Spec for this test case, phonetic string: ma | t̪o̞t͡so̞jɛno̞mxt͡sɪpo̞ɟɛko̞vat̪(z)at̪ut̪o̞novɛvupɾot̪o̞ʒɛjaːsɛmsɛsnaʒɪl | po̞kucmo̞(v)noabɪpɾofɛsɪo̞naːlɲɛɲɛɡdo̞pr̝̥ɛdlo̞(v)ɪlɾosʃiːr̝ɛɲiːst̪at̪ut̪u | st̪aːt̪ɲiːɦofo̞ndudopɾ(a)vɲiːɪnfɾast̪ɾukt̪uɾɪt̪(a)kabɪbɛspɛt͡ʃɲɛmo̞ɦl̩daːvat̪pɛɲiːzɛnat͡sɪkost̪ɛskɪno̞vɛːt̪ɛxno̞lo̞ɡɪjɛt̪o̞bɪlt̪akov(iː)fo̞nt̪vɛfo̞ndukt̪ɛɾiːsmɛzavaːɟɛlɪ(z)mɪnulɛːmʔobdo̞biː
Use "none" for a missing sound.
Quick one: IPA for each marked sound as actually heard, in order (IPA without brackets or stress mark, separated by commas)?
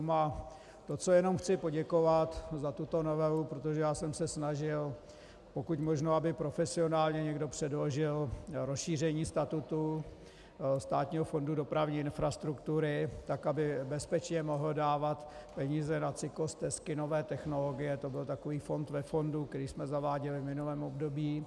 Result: z, ʒ, ʒ, a, a, iː, v